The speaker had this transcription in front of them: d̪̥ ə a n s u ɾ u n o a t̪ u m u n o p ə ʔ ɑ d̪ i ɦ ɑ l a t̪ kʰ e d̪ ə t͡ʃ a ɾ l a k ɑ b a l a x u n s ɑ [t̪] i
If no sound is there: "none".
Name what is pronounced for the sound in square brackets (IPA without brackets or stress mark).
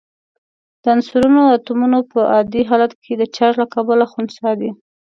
d̪